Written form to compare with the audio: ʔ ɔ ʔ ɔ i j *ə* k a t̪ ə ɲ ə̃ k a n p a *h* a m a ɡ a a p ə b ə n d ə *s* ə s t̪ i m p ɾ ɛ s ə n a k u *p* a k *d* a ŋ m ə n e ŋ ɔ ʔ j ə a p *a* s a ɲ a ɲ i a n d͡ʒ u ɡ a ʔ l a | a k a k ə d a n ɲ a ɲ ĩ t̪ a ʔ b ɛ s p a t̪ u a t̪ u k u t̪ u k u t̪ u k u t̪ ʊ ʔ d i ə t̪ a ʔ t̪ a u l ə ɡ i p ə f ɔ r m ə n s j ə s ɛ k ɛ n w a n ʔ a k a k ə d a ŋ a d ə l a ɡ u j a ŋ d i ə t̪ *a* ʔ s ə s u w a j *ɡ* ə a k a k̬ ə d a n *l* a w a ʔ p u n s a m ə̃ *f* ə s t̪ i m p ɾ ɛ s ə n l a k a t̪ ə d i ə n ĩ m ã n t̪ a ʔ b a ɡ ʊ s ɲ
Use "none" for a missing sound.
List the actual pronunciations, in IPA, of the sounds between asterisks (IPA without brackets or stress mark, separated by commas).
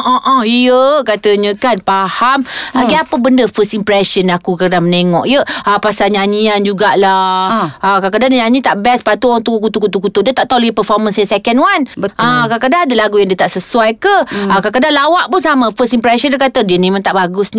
ə, h, f, k, d, a, a, k, l, f